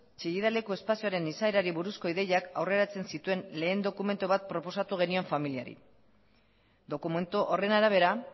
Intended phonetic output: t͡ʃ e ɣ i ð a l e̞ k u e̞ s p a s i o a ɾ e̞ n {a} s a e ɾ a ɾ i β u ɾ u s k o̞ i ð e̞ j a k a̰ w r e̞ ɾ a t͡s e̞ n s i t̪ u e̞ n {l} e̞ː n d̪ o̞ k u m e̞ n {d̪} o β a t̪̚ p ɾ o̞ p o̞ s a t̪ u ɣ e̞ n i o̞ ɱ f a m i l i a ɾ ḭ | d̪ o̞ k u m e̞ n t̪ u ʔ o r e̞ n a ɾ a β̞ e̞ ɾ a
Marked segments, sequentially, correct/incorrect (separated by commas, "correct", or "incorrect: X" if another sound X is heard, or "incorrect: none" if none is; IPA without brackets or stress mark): incorrect: i, correct, incorrect: t̪